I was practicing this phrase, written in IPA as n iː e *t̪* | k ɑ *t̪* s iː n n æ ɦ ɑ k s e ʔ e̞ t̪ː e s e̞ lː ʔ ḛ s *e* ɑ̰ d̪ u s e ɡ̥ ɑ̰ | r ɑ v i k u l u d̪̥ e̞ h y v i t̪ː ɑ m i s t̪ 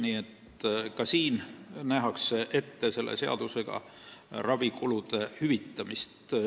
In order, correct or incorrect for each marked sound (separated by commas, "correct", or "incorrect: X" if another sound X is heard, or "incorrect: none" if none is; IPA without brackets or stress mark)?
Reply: correct, incorrect: none, correct